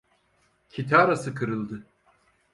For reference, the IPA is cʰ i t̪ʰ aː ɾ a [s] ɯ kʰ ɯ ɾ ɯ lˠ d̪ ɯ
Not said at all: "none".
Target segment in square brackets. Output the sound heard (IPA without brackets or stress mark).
s